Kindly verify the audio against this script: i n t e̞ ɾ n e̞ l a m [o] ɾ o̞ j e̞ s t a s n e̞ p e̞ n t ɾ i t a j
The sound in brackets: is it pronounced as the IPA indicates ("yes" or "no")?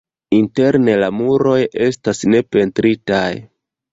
no